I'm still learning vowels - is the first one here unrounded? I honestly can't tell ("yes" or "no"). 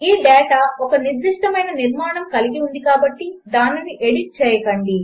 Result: yes